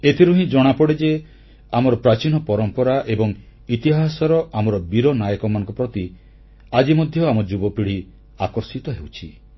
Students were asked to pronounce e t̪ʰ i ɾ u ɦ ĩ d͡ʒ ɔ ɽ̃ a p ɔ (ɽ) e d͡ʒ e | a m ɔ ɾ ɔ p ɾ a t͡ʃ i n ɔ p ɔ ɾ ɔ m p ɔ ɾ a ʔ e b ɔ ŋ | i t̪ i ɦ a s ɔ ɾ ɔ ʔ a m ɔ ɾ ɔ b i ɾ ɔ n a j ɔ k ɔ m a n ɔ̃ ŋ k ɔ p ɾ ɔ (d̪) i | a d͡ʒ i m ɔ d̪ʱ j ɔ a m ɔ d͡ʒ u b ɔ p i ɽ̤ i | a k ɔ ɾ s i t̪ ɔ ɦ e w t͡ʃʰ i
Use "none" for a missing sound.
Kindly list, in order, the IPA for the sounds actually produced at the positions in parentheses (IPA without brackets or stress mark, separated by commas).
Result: ɽ, t̪